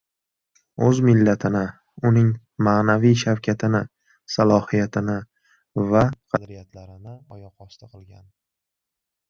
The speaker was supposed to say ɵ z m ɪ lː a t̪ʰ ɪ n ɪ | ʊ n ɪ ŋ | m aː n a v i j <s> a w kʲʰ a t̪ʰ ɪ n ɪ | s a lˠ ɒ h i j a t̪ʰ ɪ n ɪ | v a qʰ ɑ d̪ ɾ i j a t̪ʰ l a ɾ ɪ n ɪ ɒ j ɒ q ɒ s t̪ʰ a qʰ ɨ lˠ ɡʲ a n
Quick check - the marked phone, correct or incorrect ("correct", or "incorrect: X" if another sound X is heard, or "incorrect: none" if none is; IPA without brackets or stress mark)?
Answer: incorrect: ʃ